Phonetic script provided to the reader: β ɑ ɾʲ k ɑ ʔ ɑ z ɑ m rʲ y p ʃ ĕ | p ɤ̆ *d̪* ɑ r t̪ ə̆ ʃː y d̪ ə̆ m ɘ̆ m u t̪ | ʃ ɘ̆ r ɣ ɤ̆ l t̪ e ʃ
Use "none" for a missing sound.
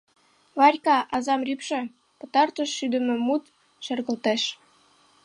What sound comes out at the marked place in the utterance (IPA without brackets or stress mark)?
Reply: t̪